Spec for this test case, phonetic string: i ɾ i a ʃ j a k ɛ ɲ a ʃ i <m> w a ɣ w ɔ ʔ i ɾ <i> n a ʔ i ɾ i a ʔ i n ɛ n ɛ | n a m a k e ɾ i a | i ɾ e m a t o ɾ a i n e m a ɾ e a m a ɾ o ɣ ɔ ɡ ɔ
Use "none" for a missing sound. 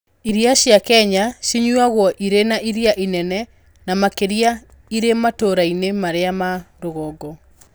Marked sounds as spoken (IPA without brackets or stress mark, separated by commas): ɲ, e